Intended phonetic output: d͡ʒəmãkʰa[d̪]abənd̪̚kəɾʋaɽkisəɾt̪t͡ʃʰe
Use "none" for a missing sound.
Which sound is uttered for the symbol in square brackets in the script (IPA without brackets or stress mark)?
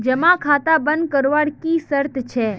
t̪